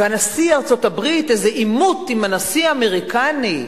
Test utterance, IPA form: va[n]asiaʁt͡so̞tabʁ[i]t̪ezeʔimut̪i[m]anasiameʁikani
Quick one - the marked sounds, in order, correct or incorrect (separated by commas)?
correct, correct, correct